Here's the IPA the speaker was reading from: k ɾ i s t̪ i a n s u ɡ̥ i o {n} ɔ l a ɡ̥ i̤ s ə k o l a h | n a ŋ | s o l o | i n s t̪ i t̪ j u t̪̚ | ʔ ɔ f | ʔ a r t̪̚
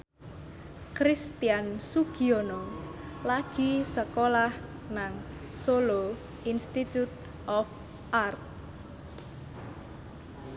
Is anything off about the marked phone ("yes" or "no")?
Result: no